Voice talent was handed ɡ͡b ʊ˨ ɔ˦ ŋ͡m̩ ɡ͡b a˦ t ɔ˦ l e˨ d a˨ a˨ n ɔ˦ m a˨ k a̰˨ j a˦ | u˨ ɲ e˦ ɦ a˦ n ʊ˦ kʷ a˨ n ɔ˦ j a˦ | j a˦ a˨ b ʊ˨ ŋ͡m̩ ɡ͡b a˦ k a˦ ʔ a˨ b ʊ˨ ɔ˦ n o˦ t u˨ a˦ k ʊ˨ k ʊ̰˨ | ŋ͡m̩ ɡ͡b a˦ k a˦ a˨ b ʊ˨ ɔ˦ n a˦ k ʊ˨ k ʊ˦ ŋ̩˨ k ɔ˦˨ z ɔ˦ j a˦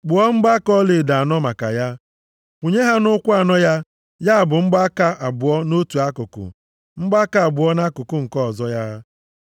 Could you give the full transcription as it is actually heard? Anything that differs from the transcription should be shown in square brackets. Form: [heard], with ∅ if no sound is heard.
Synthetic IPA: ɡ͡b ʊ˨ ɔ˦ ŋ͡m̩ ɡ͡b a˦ [k] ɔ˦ l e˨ d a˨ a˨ n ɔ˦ m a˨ k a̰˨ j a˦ | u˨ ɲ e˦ ɦ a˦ n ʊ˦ kʷ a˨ n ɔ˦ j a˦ | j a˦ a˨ b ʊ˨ ŋ͡m̩ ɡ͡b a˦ k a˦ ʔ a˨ b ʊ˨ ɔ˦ n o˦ t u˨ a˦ k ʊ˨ k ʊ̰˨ | ŋ͡m̩ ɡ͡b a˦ k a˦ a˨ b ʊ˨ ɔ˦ n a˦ k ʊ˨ k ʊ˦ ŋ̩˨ k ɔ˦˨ z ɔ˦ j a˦